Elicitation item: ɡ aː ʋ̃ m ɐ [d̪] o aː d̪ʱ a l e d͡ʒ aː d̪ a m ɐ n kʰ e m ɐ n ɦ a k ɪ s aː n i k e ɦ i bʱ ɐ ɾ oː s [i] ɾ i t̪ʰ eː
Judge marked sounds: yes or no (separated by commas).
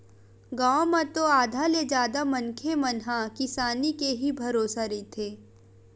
no, no